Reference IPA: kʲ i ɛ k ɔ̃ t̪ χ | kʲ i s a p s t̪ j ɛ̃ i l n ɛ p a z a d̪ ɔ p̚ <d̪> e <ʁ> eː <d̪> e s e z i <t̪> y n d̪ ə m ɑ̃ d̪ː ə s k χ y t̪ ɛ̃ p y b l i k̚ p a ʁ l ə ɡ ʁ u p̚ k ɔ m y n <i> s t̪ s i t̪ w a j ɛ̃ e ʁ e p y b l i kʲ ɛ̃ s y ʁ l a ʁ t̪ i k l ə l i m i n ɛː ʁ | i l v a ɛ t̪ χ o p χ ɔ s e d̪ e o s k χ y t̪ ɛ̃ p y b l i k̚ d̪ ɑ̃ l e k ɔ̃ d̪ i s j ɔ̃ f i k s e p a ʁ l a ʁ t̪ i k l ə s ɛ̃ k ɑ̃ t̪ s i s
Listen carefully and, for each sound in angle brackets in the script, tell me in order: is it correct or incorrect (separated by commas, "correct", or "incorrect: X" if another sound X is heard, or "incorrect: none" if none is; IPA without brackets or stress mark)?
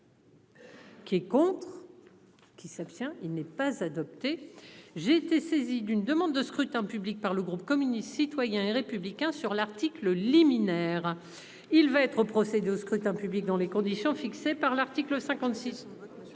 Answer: incorrect: t̪, incorrect: ʒ, incorrect: t̪, incorrect: d̪, correct